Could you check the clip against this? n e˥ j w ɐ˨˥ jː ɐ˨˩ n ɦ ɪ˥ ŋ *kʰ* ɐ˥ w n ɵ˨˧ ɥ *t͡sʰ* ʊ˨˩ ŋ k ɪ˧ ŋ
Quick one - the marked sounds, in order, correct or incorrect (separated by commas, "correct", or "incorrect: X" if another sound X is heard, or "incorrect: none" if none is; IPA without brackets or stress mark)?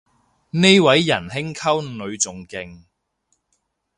correct, incorrect: t͡s